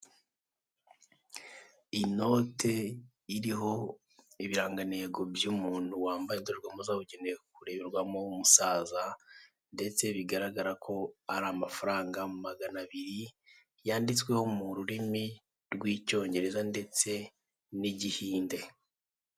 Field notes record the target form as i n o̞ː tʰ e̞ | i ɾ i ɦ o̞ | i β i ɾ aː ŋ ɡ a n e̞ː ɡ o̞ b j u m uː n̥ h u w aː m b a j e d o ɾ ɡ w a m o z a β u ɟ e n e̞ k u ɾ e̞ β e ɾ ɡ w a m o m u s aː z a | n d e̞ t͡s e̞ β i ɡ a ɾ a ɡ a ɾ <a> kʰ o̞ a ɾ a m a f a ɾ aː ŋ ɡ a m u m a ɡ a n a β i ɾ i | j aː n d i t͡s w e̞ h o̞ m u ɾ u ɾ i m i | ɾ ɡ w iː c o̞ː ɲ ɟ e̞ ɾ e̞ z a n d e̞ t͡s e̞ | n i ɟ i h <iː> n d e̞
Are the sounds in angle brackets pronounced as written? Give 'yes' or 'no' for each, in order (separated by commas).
yes, yes